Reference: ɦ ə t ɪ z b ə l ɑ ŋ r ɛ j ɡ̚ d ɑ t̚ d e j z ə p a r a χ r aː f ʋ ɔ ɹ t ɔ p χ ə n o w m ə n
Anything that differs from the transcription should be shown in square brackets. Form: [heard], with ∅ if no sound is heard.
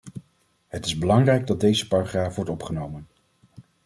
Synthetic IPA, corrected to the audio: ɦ ə t ɪ z b ə l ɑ ŋ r ɛ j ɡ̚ d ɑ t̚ d e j z ə p a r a χ r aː f ʋ ɔ ɹ t ɔ p χ ə n o w m ə n